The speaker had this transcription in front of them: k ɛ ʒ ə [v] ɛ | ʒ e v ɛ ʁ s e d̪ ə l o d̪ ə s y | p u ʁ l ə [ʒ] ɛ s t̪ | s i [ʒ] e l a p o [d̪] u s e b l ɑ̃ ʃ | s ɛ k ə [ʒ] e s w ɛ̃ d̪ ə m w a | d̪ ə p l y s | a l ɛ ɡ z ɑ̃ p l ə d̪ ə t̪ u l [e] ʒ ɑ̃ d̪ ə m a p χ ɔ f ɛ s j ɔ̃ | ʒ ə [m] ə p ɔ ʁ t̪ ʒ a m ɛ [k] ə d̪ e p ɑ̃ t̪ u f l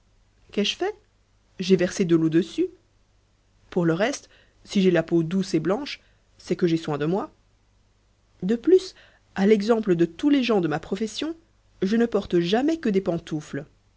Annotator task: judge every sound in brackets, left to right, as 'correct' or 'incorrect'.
incorrect, incorrect, correct, correct, correct, correct, incorrect, correct

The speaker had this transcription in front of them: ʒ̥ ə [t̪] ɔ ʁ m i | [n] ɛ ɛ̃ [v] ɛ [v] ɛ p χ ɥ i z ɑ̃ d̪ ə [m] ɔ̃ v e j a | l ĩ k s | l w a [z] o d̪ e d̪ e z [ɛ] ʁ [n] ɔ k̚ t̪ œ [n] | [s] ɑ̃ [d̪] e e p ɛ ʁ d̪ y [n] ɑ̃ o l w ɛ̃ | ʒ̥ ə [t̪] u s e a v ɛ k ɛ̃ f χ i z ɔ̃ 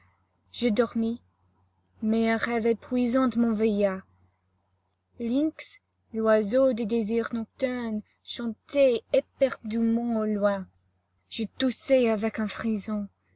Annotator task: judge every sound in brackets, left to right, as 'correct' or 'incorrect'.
incorrect, incorrect, incorrect, correct, correct, correct, incorrect, correct, correct, incorrect, incorrect, incorrect, correct

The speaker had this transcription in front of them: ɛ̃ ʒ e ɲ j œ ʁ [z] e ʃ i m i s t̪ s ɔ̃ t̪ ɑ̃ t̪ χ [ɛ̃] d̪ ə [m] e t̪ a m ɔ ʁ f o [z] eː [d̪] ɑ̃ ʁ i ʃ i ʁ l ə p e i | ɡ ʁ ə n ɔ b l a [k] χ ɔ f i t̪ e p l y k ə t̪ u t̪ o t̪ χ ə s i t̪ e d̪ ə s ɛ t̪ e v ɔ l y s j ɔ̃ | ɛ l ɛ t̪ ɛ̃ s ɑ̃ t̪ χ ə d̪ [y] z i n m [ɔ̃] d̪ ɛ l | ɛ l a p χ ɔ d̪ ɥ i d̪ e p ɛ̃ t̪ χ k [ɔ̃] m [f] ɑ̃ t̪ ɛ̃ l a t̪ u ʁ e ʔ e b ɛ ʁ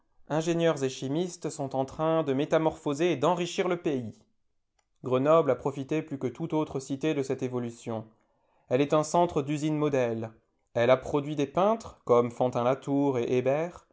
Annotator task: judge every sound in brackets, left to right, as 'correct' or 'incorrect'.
correct, correct, correct, correct, correct, incorrect, correct, incorrect, incorrect, correct

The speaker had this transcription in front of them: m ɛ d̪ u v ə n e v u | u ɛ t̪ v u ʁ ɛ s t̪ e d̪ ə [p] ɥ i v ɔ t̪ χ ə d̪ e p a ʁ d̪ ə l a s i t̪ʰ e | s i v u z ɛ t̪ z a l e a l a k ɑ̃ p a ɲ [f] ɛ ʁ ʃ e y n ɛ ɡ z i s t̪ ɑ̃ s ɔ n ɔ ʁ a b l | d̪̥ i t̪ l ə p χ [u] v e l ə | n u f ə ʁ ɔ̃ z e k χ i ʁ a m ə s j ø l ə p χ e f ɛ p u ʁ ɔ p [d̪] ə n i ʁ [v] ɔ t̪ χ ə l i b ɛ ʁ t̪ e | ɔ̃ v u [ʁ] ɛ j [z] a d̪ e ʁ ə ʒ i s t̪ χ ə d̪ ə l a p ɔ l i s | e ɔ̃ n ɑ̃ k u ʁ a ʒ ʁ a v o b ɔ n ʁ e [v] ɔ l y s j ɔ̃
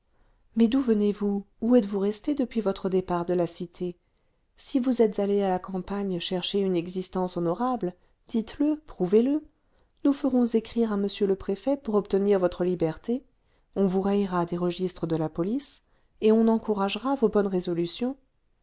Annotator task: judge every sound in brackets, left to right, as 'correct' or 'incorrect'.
correct, incorrect, correct, incorrect, correct, correct, incorrect, incorrect

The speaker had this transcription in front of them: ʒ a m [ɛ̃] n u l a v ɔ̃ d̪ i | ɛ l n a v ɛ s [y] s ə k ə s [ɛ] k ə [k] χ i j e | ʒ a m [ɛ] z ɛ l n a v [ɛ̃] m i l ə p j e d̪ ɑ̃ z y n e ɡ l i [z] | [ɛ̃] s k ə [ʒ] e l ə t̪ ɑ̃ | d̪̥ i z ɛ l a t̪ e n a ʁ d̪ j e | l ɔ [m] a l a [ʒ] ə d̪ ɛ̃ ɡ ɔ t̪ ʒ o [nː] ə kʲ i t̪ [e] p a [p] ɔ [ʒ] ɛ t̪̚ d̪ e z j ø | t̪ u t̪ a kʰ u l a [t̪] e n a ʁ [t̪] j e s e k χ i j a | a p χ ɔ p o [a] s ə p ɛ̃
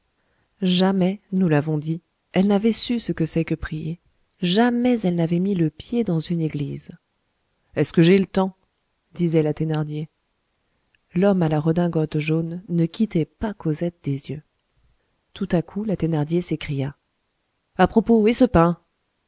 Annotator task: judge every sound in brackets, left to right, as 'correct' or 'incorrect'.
incorrect, correct, correct, incorrect, correct, incorrect, correct, incorrect, correct, correct, incorrect, correct, incorrect, incorrect, incorrect, correct, incorrect, incorrect

